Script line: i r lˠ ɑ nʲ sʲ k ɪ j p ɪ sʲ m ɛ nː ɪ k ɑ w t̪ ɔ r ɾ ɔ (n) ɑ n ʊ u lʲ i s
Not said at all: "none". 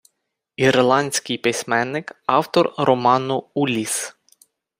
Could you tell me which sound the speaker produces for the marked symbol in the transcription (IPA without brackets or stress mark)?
m